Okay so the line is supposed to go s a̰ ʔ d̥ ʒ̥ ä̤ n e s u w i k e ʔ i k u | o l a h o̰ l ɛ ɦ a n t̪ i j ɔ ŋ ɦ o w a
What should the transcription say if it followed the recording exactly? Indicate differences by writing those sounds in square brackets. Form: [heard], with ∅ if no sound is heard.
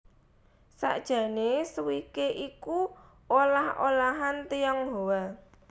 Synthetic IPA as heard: s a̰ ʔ d̥ ʒ̥ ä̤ n e s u w i k e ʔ i k u | o l a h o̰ l [a] ɦ a n t̪ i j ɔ ŋ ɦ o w a